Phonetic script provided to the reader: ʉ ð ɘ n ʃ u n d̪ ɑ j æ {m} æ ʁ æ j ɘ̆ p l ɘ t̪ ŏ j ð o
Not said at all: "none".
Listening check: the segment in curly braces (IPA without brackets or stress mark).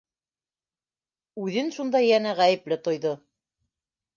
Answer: n